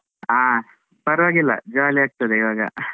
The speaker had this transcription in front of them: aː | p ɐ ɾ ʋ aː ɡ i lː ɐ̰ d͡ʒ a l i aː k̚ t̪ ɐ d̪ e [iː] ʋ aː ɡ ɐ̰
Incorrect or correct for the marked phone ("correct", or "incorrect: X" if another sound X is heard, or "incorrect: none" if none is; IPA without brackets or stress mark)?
incorrect: i